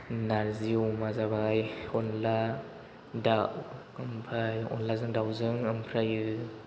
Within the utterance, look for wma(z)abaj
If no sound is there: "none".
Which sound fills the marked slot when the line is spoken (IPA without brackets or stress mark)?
z